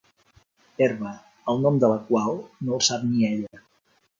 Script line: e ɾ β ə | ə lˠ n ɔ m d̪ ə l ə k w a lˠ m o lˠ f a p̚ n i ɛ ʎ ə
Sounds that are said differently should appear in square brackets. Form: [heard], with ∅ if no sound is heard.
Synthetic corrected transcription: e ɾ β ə | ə lˠ n ɔ m d̪ ə l ə k w a lˠ [n] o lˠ [s] a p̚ n i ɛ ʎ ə